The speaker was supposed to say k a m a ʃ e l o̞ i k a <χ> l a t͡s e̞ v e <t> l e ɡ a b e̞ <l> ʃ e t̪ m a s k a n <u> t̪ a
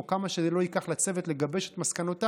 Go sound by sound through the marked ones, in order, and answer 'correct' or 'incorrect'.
correct, correct, incorrect: none, incorrect: o

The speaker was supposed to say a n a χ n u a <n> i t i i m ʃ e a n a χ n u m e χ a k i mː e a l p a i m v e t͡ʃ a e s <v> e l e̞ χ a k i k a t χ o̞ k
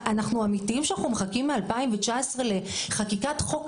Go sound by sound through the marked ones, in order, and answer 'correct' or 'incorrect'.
incorrect: m, incorrect: ʁ

